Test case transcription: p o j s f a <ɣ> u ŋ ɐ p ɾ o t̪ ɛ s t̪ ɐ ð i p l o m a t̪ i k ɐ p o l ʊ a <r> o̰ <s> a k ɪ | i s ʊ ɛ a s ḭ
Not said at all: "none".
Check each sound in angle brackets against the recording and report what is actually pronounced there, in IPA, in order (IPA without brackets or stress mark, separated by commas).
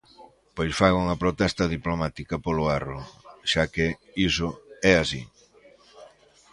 ɣ, r, ʃ